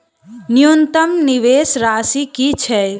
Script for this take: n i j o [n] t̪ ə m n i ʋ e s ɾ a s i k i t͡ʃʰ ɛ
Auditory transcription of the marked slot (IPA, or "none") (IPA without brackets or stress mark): n